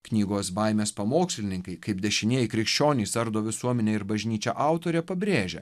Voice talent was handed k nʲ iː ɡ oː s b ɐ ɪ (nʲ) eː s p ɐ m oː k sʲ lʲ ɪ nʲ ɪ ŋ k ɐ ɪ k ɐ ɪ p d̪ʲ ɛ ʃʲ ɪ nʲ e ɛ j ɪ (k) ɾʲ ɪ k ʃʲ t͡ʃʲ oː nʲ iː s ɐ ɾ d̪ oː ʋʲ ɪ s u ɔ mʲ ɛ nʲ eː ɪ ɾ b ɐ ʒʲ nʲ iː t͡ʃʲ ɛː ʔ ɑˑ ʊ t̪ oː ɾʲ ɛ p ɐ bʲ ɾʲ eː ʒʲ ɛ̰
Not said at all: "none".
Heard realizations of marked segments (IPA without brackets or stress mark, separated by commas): mʲ, k